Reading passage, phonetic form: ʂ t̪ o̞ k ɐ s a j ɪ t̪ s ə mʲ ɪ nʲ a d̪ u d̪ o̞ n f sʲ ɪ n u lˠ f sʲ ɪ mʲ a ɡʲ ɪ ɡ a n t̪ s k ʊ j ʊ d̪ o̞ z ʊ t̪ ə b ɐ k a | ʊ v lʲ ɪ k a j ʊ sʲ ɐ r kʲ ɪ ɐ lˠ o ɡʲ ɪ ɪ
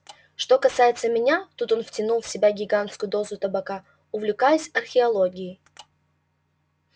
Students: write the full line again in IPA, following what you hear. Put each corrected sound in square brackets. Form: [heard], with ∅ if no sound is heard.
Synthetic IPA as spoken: ʂ t̪ o̞ k ɐ s a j ɪ t̪ s ə mʲ ɪ nʲ a [t̪] u [t̪] o̞ n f [tʲ] ɪ n u lˠ f sʲ ɪ [bʲ] a ɡʲ ɪ ɡ a n t̪ s k ʊ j ʊ d̪ o̞ z ʊ t̪ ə b ɐ k a | ʊ v lʲ ɪ k a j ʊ sʲ ɐ r [xʲ] ɪ ɐ lˠ o ɡʲ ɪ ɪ

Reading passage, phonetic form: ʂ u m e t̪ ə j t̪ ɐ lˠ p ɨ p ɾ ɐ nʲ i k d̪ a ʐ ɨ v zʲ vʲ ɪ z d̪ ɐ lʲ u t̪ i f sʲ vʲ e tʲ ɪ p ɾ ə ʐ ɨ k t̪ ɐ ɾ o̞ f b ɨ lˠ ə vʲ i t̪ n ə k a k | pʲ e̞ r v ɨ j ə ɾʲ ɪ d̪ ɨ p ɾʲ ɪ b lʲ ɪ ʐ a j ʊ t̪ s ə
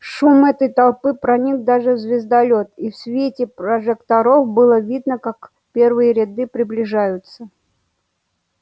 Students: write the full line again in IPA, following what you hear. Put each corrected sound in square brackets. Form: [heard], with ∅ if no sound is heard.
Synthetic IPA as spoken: ʂ u m [ɛ] t̪ ə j t̪ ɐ lˠ p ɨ p ɾ ɐ nʲ i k d̪ a ʐ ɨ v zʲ vʲ ɪ z d̪ ɐ lʲ [o] t̪ i f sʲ vʲ e tʲ ɪ p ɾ ə ʐ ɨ k t̪ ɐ ɾ o̞ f b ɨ lˠ ə vʲ i [d̪] n ə k a k | pʲ e̞ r v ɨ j ə ɾʲ ɪ d̪ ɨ p ɾʲ ɪ b lʲ ɪ ʐ a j ʊ t̪ s ə

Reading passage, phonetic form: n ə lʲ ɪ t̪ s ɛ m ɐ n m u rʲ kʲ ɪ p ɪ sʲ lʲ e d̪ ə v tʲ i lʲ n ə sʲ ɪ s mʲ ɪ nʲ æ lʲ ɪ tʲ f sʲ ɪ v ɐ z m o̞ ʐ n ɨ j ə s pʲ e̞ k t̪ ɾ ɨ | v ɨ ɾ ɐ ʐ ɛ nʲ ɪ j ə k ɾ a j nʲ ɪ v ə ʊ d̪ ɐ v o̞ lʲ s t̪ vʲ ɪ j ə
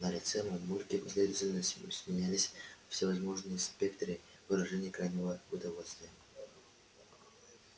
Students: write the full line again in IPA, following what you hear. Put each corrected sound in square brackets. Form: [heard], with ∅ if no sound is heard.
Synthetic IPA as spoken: n ə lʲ ɪ t̪ s ɛ m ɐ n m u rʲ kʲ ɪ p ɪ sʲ lʲ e d̪ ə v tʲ [ɪ] lʲ n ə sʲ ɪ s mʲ ɪ nʲ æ lʲ ɪ [sʲ] f sʲ ɪ v ɐ z m o̞ ʐ n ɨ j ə s pʲ e̞ k t̪ ɾ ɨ | v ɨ ɾ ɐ ʐ ɛ nʲ ɪ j ə k ɾ a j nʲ ɪ v ə ʊ d̪ ɐ v o̞ lʲ s t̪ vʲ ɪ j ə

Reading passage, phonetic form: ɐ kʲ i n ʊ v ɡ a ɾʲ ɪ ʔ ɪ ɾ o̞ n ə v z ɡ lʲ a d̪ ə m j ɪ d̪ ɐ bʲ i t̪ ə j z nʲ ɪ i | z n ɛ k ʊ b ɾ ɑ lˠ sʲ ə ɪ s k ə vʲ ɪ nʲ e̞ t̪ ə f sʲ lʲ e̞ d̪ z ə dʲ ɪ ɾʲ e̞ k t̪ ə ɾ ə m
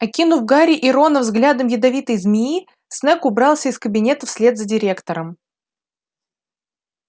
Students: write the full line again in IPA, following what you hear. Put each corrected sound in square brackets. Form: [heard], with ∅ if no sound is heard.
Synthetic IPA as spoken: ɐ kʲ i n ʊ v ɡ a ɾʲ ɪ ʔ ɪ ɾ o̞ n ə v z ɡ lʲ a d̪ ə m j ɪ d̪ ɐ [vʲ] i t̪ ə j z [mʲ] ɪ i | [s] n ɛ k ʊ b ɾ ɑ lˠ sʲ ə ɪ s k ə [bʲ] ɪ nʲ e̞ t̪ ə f sʲ lʲ e̞ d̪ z ə dʲ ɪ ɾʲ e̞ k t̪ ə ɾ ə m

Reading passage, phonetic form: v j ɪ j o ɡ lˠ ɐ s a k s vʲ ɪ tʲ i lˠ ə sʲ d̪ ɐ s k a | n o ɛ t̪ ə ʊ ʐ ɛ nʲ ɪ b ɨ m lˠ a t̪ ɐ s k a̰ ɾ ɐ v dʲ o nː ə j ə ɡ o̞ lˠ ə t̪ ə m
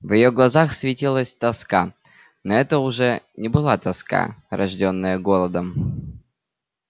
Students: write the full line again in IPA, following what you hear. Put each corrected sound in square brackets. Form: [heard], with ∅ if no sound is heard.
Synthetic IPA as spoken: v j ɪ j o ɡ lˠ ɐ [z] a [x] s vʲ ɪ tʲ i lˠ ə sʲ [t̪] ɐ s k a | n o ɛ t̪ ə ʊ ʐ ɛ nʲ ɪ b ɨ [∅] lˠ a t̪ ɐ s k a̰ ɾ ɐ [ʐ] dʲ o nː ə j ə ɡ o̞ lˠ ə [d̪] ə m

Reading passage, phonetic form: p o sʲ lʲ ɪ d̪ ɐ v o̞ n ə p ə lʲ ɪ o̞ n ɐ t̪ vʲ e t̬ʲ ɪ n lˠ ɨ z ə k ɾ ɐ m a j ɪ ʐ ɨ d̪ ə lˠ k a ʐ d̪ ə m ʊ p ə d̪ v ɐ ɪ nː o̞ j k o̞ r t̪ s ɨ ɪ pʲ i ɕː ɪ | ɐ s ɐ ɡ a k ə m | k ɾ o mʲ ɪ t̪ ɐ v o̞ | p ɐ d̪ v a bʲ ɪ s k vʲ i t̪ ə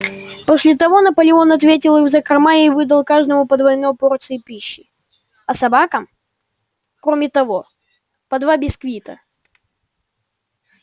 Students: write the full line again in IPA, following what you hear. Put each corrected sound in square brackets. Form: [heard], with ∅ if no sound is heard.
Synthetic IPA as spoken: p o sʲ lʲ ɪ [t̪] ɐ v o̞ n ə p ə lʲ ɪ o̞ n ɐ t̪ vʲ e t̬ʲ ɪ [∅] lˠ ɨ z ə k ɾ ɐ m a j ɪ [v] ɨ d̪ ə lˠ k a ʐ d̪ ə m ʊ p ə d̪ v ɐ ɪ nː o̞ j [p] o̞ r t̪ s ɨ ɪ pʲ i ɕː ɪ | ɐ s ɐ [b] a k ə m | k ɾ o mʲ ɪ t̪ ɐ v o̞ | p ɐ d̪ v a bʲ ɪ s k vʲ i t̪ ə

